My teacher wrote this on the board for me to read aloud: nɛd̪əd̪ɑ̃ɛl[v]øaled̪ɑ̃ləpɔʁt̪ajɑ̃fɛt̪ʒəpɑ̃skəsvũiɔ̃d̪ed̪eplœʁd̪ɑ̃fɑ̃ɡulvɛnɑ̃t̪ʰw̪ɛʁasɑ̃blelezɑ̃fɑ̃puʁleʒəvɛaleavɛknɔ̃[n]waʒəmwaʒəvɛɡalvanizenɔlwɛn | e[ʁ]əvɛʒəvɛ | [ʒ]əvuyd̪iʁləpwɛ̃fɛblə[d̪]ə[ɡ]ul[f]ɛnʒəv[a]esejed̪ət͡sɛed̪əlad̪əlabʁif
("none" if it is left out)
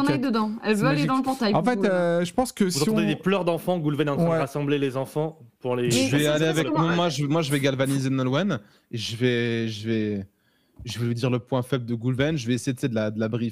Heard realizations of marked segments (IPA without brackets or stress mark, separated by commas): v, m, ʒ, ʒ, d̪, ɡ, v, ɛ